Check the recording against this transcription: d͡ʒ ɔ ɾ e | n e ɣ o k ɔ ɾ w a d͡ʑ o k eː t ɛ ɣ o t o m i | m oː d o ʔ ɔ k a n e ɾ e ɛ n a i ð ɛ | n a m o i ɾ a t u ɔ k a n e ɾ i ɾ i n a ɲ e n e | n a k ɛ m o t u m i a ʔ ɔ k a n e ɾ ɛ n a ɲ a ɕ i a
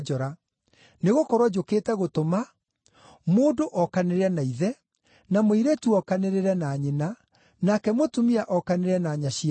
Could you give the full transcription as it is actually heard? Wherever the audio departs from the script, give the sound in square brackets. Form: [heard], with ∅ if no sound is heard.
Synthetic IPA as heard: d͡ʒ ɔ ɾ [a] | n e ɣ o k ɔ ɾ w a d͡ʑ o k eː t ɛ ɣ o t o m [a] | m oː d o ʔ ɔ k a n e ɾ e ɛ n a i ð ɛ | n a m o i ɾ [e] t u ɔ k a n e ɾ [e] ɾ [ɛ] n a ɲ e n [a] | n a k ɛ m o t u m i a ʔ ɔ k a n e ɾ ɛ n a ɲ a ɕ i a